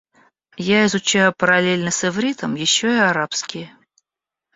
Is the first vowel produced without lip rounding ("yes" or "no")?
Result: yes